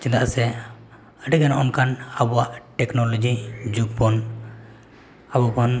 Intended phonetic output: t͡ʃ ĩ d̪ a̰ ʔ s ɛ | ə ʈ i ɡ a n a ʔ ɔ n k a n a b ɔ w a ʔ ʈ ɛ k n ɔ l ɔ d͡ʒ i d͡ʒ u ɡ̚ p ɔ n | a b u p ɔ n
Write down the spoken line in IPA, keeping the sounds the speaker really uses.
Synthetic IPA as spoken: t͡ʃ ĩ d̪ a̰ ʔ s ɛ | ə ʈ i ɡ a n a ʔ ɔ n k a n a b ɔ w a ʔ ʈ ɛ k n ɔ l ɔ d͡ʒ i d͡ʒ u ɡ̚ p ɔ n | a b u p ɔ n